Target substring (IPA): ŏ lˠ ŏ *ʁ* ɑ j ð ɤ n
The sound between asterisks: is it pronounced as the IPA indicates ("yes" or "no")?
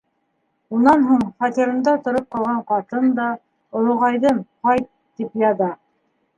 yes